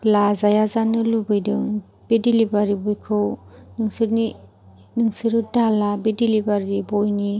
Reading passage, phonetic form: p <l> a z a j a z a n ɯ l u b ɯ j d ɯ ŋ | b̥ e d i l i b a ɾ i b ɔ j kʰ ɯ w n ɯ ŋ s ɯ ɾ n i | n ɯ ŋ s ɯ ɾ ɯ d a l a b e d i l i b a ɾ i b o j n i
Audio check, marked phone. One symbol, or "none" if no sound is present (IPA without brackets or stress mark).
l